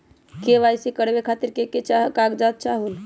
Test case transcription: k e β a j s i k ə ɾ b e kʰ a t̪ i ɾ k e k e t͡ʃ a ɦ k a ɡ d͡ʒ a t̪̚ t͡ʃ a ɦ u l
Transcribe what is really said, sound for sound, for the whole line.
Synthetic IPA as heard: k e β a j s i k ə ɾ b e kʰ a t̪ i ɾ k e k e t͡ʃ a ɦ k a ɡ d͡ʒ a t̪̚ t͡ʃ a ɦ u l